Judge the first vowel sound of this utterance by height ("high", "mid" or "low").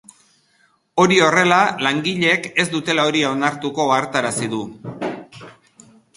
mid